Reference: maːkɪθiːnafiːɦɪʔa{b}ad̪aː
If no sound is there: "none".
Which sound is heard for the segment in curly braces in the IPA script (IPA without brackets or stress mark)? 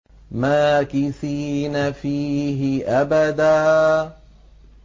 b